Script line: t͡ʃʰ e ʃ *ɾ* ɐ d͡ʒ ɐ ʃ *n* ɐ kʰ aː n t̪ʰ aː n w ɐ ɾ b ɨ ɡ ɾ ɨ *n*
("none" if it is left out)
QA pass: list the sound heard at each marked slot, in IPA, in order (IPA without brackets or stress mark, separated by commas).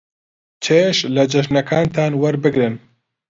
l, n, n